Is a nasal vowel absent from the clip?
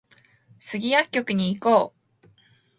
yes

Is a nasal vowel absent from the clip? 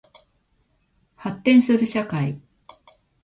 no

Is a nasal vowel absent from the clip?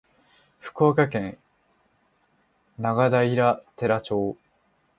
no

